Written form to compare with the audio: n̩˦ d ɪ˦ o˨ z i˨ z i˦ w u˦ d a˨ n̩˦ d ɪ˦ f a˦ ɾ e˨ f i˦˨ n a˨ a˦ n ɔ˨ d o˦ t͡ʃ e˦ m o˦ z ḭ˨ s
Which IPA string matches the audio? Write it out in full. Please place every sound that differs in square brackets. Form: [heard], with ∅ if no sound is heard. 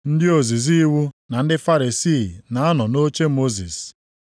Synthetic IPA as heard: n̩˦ d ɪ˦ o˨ z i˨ z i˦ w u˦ [n] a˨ n̩˦ d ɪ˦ f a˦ ɾ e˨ [s] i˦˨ n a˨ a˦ n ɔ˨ [n] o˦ t͡ʃ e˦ m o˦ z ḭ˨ s